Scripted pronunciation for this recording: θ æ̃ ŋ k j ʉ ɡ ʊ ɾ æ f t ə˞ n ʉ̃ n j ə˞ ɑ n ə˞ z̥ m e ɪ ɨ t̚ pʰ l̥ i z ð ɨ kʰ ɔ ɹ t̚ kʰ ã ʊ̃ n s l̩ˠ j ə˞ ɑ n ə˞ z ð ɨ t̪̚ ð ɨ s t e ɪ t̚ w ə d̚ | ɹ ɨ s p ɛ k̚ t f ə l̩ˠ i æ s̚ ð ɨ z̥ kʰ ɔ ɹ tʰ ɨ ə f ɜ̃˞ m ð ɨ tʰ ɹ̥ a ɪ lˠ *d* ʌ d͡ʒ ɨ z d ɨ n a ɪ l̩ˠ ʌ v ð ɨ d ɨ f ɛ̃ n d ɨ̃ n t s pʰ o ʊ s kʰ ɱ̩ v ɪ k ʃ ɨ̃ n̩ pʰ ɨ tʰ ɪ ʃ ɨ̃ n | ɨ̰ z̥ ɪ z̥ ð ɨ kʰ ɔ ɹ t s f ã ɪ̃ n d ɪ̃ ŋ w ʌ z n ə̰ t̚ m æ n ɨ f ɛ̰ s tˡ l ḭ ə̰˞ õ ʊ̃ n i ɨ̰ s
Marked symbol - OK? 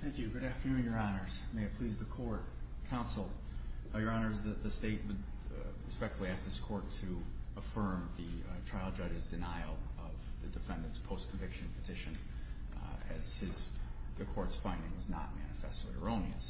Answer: no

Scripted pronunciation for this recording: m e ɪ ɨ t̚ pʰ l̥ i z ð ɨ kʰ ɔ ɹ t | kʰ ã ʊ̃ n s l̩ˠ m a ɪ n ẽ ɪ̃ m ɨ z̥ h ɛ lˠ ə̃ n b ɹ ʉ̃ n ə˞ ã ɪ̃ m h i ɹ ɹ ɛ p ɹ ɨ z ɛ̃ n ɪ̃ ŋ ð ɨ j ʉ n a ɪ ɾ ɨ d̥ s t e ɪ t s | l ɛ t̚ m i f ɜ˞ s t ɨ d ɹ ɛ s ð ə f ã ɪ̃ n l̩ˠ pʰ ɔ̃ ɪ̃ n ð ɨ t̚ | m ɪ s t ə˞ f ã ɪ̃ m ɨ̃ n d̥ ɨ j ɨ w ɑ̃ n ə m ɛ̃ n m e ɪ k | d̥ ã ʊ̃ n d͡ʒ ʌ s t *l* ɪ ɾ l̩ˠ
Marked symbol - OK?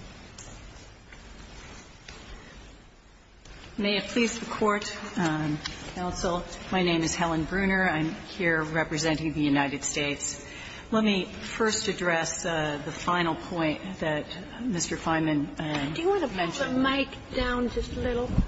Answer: yes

